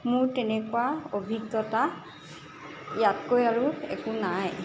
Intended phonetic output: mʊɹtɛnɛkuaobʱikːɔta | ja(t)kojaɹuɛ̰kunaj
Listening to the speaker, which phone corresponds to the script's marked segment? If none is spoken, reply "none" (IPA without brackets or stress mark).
t